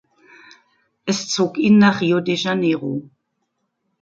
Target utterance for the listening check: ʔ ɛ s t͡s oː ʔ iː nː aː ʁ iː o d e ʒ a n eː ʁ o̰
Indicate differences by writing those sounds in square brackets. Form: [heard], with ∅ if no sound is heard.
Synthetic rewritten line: ʔ ɛ s t͡s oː [k] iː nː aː [χ] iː o d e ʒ a n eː ʁ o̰

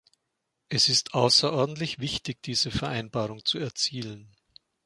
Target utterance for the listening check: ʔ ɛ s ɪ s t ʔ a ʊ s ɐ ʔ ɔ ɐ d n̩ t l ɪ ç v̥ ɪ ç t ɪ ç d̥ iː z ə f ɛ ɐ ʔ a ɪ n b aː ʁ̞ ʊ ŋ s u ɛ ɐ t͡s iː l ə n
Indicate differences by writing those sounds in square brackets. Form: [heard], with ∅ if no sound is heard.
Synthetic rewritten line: ʔ ɛ s ɪ s t ʔ a ʊ s ɐ ʔ ɔ ɐ d n̩ t l ɪ ç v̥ ɪ ç t ɪ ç d̥ iː z ə f ɛ ɐ ʔ a ɪ n b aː ʁ̞ ʊ ŋ [t͡s] u ɛ ɐ t͡s iː l ə n

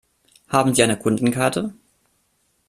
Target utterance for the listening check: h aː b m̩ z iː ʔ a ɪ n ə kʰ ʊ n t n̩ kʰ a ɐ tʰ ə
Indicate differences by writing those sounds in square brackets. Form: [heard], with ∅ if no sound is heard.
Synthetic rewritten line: h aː b m̩ z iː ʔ a ɪ n ə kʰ ʊ n [d] n̩ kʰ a ɐ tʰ ə

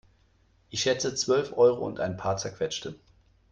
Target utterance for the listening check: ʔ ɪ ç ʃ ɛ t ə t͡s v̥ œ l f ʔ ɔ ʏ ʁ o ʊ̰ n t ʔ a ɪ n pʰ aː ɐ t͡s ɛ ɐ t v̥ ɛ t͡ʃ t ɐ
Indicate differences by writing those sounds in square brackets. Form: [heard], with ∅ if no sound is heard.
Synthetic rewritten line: ʔ ɪ ç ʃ ɛ [t͡s] ə t͡s v̥ œ l f ʔ ɔ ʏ ʁ o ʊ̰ n t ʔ a ɪ n pʰ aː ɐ t͡s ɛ ɐ [k] v̥ ɛ t͡ʃ t [ə]

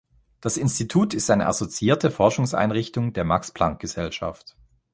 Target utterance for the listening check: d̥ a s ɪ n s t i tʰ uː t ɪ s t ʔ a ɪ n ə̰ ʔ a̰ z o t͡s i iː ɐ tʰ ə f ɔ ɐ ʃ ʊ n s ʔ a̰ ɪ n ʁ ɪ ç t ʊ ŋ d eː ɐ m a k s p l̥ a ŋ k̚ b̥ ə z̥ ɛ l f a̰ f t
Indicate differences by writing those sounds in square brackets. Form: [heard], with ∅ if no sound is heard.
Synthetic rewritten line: d̥ a s ɪ n s t i tʰ uː t ɪ s t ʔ a ɪ n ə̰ ʔ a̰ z o t͡s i iː ɐ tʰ ə f ɔ ɐ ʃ ʊ [ŋ] s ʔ a̰ ɪ n ʁ ɪ ç t ʊ ŋ d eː ɐ m a k s p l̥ a ŋ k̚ [ɡ̥] ə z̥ ɛ l [ʃ] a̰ f t

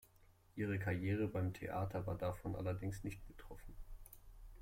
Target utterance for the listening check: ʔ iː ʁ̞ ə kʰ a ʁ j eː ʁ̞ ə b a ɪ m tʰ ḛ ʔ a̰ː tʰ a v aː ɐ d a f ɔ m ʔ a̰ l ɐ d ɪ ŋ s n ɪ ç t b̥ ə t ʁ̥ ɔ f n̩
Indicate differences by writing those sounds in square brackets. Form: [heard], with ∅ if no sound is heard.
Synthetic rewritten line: ʔ iː ʁ̞ ə kʰ a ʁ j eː ʁ̞ ə b a ɪ m tʰ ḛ ʔ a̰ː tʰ [ɐ] v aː ɐ d a f ɔ [n] ʔ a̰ l ɐ d ɪ ŋ s n ɪ ç t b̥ ə t ʁ̥ ɔ f n̩

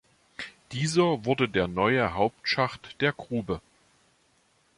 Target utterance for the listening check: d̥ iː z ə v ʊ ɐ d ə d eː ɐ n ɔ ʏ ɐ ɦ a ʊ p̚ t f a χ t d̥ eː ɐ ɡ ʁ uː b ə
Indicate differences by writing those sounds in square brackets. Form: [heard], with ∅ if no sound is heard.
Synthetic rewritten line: d̥ iː z [ɐ] v ʊ ɐ d ə d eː ɐ n ɔ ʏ [ə] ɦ a ʊ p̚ t [ʃ] a χ t d̥ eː ɐ ɡ ʁ uː b ə

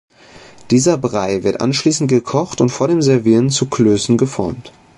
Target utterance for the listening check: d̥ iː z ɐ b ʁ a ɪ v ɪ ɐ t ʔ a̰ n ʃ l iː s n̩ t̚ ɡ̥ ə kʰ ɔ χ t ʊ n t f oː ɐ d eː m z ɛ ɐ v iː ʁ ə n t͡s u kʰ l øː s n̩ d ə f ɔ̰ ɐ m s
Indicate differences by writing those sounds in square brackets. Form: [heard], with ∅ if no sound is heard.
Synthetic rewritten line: d̥ iː z ɐ b ʁ a ɪ v ɪ ɐ t ʔ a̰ n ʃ l iː s n̩ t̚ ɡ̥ ə kʰ ɔ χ t ʊ n t f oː ɐ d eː m z ɛ ɐ v iː ʁ ə n t͡s u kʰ l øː s n̩ [ɡ] ə f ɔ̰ ɐ m [t]

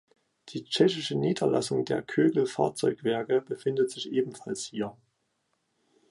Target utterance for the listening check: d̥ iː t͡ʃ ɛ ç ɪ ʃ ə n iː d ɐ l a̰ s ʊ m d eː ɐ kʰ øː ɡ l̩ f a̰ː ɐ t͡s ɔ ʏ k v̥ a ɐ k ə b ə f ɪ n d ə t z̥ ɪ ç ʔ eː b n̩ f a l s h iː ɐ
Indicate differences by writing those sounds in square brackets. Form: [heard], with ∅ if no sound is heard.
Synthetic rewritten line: d̥ iː t͡ʃ ɛ ç ɪ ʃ ə n iː d ɐ l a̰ s ʊ [ŋ] d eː ɐ kʰ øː ɡ l̩ f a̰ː ɐ t͡s ɔ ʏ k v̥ [ɛ] ɐ k ə b ə f ɪ n d ə t z̥ ɪ ç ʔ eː b [m̩] f a l s h iː ɐ

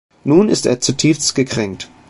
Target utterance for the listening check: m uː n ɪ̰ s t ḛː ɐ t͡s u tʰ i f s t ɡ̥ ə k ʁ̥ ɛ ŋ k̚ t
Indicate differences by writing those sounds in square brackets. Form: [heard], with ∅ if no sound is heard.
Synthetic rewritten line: [n] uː n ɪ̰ s t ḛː ɐ t͡s u tʰ [iː] f s t ɡ̥ ə k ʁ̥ ɛ ŋ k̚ t

